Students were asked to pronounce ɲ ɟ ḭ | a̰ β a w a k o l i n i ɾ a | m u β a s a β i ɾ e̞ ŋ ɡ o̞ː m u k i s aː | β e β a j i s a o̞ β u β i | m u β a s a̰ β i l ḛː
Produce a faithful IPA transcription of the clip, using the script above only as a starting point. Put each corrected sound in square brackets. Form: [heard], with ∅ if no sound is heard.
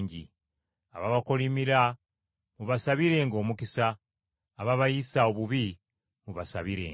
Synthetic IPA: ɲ ɟ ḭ | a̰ β a [β] a k o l i [m] i ɾ a | m u β a s a β i ɾ e̞ ŋ ɡ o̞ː m u k i s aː | β [a] β a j i s a o̞ β u β i | m u β a s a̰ β i [ɾ] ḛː

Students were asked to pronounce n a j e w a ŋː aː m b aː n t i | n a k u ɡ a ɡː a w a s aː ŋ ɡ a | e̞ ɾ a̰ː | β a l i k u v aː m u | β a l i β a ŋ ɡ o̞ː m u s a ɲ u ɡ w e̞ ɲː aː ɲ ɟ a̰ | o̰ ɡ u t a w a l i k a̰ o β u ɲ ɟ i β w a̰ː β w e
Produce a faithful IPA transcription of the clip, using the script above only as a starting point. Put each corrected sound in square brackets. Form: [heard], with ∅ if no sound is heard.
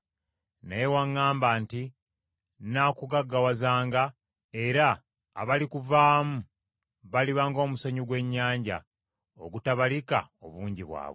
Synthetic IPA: n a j e w a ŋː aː m b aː n t i | n a k u ɡ a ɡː a w a [z] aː ŋ ɡ a | e̞ ɾ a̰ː | β a l i k u v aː m u | β a l i β a ŋ ɡ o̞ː m u s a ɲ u ɡ w e̞ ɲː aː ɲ ɟ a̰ | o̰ ɡ u t a [β] a l i k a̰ o β [uː] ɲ ɟ i β w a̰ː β w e

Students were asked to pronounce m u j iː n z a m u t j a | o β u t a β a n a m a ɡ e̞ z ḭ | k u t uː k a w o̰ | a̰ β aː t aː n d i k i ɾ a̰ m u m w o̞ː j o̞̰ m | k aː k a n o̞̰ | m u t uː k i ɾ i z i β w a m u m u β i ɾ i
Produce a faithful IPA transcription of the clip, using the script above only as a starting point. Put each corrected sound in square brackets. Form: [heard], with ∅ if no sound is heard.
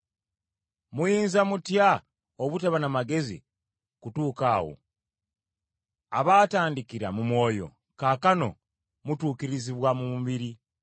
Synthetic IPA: m u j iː n z a m u t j a | o β u t a β a n a m a ɡ e̞ z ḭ | k u t uː k a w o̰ | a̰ β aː t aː n d i k i ɾ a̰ m u m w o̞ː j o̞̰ [∅] | k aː k a n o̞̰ | m u t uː k i ɾ i z i β w a m u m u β i ɾ i

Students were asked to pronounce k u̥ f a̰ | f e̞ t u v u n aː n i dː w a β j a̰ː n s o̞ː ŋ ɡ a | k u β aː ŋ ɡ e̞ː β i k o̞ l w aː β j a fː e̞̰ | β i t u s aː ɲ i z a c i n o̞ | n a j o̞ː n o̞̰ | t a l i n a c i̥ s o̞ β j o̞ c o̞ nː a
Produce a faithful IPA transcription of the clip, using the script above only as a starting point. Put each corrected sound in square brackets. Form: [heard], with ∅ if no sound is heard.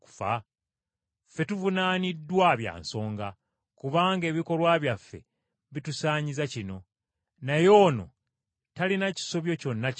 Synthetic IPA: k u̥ f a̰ | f e̞ t u v u n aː n i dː w a β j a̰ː n s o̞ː ŋ ɡ a | k u β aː ŋ ɡ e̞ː β i k o̞ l w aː β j a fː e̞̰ | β i t u s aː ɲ i z a c i n o̞ | n a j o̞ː n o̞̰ | t a l i n a c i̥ s o̞ β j o̞ c o̞ nː a

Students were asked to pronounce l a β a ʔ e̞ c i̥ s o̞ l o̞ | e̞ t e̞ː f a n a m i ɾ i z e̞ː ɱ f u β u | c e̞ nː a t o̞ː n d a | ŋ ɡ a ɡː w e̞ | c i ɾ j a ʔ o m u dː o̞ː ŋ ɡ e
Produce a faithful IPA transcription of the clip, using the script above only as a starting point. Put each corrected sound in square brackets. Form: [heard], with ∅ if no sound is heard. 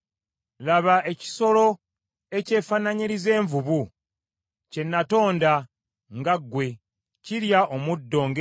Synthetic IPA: l a β a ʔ e̞ c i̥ s o̞ l o̞ | e̞ [c] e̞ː f a n a [ɲ] i ɾ i z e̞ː ɱ [v] u β u | c e̞ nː a t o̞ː n d a | ŋ ɡ a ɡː w e̞ | c i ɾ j a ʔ o m u dː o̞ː ŋ ɡ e

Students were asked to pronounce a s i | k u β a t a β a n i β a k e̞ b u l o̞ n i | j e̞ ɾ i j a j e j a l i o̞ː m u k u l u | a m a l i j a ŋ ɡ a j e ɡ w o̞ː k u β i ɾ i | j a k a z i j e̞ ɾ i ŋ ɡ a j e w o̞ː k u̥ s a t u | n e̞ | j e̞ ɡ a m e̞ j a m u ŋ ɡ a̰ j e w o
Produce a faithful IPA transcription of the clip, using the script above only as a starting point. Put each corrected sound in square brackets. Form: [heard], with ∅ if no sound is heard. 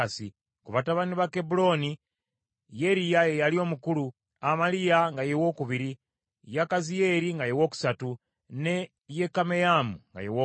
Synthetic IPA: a s i | k u β a t a β a n i β a k e̞ b u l o̞ n i | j e̞ ɾ i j a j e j a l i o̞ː m u k u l u | a m a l i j a ŋ ɡ a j e [∅] w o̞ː k u β i ɾ i | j a k a z i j e̞ ɾ i ŋ ɡ a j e w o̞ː k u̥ s a t u | n e̞ | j e̞ [k] a m e̞ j a m u ŋ ɡ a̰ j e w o

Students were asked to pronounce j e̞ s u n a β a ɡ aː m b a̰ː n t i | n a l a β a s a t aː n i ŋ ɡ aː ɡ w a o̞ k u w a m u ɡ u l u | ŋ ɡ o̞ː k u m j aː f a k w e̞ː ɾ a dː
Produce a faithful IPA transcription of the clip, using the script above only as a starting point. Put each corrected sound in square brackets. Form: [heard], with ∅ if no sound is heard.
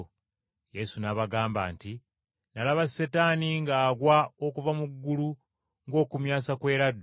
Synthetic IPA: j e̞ s u n a β a ɡ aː m b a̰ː n t i | n a l a β a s [e] t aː n i ŋ ɡ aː ɡ w a o̞ k u [v] a m u [ɡː] u l u | ŋ ɡ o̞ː k u m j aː [s] a k w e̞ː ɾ a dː

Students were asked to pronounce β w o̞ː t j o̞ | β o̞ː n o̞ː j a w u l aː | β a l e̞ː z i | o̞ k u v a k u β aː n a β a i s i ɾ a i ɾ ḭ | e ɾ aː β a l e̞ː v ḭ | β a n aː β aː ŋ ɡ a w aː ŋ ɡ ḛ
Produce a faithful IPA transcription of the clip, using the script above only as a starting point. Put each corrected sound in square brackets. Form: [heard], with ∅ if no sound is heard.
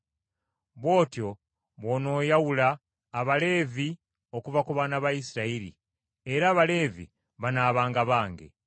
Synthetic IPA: β w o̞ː t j o̞ | β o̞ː n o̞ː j a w u l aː | β a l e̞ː [v] i | o̞ k u v a k u β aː n a β a i s i ɾ a i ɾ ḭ | e ɾ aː β a l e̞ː v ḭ | β a n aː β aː ŋ ɡ a [β] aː ŋ ɡ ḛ

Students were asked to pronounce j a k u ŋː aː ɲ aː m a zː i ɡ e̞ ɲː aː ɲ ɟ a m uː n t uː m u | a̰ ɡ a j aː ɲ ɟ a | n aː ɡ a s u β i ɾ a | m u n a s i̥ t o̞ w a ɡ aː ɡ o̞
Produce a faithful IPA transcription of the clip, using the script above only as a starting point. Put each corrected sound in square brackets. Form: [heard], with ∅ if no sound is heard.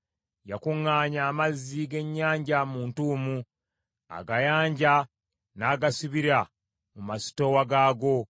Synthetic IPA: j a k u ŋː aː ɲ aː m a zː i ɡ e̞ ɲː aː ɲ ɟ a m uː n t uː m u | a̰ ɡ a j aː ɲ ɟ a | n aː ɡ a s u β i ɾ a | m u [m] a s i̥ t o̞ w a ɡ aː ɡ o̞

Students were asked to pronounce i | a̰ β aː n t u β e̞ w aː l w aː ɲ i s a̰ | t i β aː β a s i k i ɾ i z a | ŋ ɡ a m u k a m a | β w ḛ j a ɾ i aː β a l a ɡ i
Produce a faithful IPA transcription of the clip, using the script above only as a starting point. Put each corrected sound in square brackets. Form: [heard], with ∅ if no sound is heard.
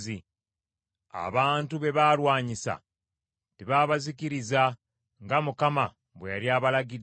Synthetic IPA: i | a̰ β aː n t u β e̞ [β] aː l w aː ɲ i s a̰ | t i β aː β a [z] i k i ɾ i z a | ŋ ɡ a m u k a m a | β w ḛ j a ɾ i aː β a l a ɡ i

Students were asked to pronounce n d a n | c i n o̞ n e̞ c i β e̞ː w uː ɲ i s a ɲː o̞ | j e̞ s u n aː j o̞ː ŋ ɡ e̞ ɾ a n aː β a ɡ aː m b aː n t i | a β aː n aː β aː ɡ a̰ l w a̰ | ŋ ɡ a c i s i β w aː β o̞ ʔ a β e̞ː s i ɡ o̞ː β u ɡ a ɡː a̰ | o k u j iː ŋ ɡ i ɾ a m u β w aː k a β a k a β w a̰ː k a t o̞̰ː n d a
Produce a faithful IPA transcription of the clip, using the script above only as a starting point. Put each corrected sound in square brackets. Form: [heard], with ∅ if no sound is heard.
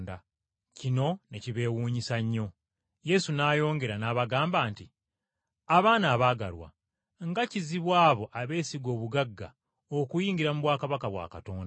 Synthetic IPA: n d a [∅] | c i n o̞ n e̞ c i β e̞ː w uː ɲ i s a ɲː o̞ | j e̞ s u n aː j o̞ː ŋ ɡ e̞ ɾ a n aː β a ɡ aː m b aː n t i | a β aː n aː β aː ɡ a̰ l w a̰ | ŋ ɡ a c i [z] i β w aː β o̞ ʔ a β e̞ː s i ɡ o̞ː β u ɡ a ɡː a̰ | o k u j iː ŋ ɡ i ɾ a m u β w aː k a β a k a β w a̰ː k a t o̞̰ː n d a

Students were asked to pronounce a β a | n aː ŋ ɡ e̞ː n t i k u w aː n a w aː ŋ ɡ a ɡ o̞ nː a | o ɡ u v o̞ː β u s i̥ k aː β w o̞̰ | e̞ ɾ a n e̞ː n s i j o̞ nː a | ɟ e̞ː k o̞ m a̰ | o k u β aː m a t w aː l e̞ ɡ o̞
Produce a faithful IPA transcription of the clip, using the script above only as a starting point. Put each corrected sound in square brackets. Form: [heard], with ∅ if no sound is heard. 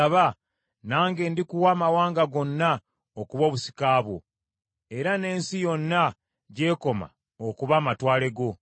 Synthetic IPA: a β a | n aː ŋ ɡ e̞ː n [d] i k u w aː [m] a w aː ŋ ɡ a ɡ o̞ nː a | o [k] u [β] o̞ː β u s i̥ k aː β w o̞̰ | e̞ ɾ a n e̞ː n s i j o̞ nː a | ɟ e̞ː k o̞ m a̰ | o k u β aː m a t w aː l e̞ ɡ o̞

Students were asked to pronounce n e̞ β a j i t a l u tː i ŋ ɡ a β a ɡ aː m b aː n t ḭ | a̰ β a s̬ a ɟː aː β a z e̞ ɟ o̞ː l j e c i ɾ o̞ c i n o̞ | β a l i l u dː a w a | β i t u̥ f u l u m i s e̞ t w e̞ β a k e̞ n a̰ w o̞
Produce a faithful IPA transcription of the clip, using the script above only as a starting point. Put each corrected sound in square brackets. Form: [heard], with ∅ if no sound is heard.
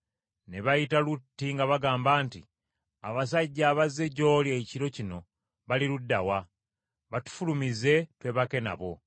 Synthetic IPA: n e̞ β a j i t a l u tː i ŋ ɡ a β a ɡ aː m b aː n t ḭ | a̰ β a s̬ a ɟː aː β a z e̞ ɟ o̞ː l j e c i ɾ o̞ c i n o̞ | β a l i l u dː a w a | β [a] t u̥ f u l u m i [z] e̞ t w e̞ β a k e̞ n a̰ [β] o̞

